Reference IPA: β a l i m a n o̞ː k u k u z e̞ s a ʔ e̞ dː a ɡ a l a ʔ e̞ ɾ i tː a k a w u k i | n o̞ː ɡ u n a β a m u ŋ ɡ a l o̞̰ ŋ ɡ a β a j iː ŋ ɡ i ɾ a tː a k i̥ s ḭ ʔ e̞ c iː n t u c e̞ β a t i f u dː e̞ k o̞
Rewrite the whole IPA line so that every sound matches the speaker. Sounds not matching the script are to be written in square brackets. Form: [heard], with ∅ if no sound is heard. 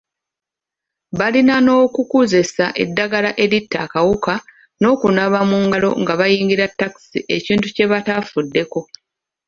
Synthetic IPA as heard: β a l i [n] a n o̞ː k u k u z e̞ s a ʔ e̞ dː a ɡ a l a ʔ e̞ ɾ i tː a k a w u k [a] | n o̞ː [k] u n a β a m u ŋ ɡ a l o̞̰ ŋ ɡ a β a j iː ŋ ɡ i ɾ a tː a k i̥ s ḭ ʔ e̞ c iː n t u c e̞ β a t [a] f u dː e̞ k o̞

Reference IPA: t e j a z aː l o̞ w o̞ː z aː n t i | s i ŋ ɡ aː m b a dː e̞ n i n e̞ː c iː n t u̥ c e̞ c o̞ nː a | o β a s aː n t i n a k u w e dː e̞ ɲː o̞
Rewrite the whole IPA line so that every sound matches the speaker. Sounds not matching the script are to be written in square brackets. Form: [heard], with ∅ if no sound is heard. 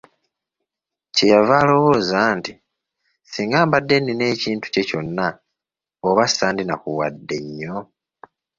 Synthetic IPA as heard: [c] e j a [v] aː l o̞ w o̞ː z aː n t i | s i ŋ ɡ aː m b a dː e̞ n i n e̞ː c iː n t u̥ c e̞ c o̞ nː a | o β a s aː n [d] i n a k u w [a] dː e̞ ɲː o̞

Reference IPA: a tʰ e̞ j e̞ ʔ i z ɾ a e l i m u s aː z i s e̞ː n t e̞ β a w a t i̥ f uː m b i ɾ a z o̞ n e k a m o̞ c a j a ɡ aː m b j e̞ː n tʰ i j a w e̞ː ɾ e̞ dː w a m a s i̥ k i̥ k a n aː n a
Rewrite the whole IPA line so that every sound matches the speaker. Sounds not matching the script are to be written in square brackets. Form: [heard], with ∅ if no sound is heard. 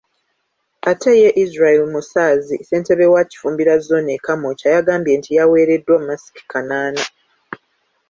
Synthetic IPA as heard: a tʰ e̞ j e̞ ʔ i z ɾ a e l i m u s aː z i s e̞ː n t e̞ β [e] w a [c] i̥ f uː m b i ɾ a z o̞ n e k a m o̞ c a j a ɡ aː m b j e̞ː n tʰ i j a w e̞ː ɾ e̞ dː w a m a s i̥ k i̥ k a n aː n a

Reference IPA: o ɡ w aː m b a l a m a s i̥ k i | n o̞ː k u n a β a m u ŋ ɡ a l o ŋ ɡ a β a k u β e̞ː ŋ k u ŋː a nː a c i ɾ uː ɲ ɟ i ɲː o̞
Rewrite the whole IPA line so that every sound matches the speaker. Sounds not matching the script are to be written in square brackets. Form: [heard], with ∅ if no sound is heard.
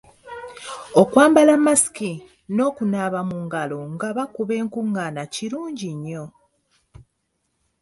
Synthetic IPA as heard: o [k] w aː m b a l a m a s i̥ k i | n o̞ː k u n a β a m u ŋ ɡ a l o ŋ ɡ a β a k u β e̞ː ŋ k u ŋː a [n] a c i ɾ uː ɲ ɟ i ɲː o̞

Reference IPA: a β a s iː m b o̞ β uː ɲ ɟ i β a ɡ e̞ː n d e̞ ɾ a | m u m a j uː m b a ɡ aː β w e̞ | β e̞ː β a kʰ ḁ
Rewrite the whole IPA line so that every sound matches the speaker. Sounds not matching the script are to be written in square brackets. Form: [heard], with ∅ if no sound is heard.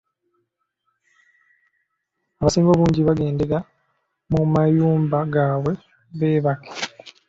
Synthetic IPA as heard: a β a s iː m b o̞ β uː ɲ ɟ i β a ɡ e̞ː n d e̞ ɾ a | m u m a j uː m b a ɡ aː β w e̞ | β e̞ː β a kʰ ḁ

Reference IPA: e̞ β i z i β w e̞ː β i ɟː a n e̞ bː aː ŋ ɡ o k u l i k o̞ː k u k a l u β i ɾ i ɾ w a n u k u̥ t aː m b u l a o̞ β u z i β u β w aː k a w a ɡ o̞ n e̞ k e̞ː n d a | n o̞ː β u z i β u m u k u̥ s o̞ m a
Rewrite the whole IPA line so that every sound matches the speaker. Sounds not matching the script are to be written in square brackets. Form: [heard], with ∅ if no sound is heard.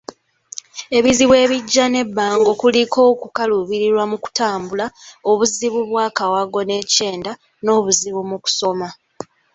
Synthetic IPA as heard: e̞ β i z i β w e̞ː β i ɟː a n e̞ bː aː ŋ ɡ o k u l i k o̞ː k u k a l u β i ɾ i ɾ w a [m] u k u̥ t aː m b u l a o̞ β u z i β u β w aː k a w a ɡ o̞ n e̞ [c] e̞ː n d a | n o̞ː β u z i β u m u k u̥ s o̞ m a

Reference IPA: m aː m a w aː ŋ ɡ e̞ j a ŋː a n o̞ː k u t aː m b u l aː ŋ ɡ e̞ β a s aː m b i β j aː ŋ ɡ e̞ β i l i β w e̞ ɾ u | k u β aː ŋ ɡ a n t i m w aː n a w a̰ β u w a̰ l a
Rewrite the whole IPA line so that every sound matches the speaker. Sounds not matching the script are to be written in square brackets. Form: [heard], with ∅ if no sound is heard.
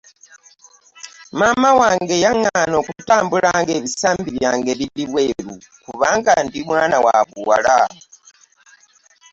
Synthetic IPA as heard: m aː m a w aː ŋ ɡ e̞ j a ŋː a n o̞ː k u t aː m b u l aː ŋ ɡ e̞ β [i] s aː m b i β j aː ŋ ɡ e̞ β i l i β w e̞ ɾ u | k u β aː ŋ ɡ a n [d] i m w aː n a w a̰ β u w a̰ l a

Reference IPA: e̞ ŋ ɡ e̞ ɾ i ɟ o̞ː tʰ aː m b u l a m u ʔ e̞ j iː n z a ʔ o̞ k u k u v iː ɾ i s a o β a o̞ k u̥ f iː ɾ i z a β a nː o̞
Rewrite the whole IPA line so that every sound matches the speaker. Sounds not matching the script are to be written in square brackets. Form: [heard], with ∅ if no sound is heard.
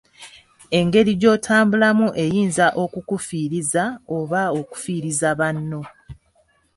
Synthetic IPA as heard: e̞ ŋ ɡ e̞ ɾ i ɟ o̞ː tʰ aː m b u l a m u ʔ e̞ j iː n z a ʔ o̞ k u k u [f] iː ɾ i [z] a o β a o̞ k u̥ f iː ɾ i z a β a nː o̞

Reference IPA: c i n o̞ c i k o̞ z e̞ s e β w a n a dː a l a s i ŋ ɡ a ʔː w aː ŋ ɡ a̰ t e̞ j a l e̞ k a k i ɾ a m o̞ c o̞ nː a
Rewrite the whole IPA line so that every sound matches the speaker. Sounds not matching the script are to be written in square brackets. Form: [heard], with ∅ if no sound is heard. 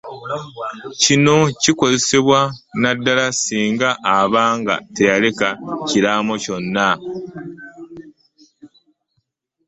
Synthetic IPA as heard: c i n o̞ c i k o̞ z e̞ s e β w a n a dː a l a s [iː] ŋ ɡ a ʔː [β] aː ŋ ɡ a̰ t e̞ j a l e̞ k a [c] i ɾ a m o̞ c o̞ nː a

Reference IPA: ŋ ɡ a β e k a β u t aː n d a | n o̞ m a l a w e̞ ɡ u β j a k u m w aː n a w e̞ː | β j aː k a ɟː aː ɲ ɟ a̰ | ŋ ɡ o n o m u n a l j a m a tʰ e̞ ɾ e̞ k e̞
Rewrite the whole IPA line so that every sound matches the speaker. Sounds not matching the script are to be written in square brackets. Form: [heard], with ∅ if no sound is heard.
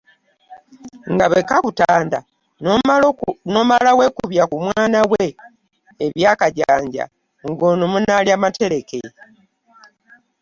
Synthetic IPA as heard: ŋ ɡ a β e k a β u t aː n d a | n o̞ m a l a w e̞ [k] u β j a k u m w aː n a w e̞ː | β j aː k a [ɟ] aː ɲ ɟ a̰ | ŋ ɡ o n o m u n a l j a m a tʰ e̞ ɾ e̞ k e̞

